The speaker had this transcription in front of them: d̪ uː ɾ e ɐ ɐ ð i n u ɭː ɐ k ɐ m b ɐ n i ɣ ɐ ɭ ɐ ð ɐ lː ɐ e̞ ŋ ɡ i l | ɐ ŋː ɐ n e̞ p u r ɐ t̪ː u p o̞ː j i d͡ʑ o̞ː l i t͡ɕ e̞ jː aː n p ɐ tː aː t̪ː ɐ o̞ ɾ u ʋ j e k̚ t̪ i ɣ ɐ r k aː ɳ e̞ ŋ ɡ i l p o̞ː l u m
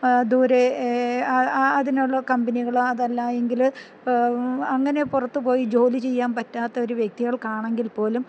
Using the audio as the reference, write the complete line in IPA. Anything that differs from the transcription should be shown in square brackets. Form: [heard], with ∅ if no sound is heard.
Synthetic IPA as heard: d̪ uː ɾ e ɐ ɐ ð i n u ɭː ɐ k ɐ m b ɐ n i ɣ ɐ ɭ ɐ ð ɐ lː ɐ e̞ ŋ ɡ i l | ɐ ŋː ɐ n e̞ p u r ɐ t̪ː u p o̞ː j i d͡ʑ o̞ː l i t͡ɕ e̞ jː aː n p ɐ tː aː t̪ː ɐ o̞ ɾ u ʋ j e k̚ t̪ i ɣ ɐ [ɭ] k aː ɳ e̞ ŋ ɡ i l p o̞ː l u m